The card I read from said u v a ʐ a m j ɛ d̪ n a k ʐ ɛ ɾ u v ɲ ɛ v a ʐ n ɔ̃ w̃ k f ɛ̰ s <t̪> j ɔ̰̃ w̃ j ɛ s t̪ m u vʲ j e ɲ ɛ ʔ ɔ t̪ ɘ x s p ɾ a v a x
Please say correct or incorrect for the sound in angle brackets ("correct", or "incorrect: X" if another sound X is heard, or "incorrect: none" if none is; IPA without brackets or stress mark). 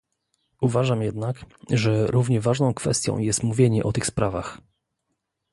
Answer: correct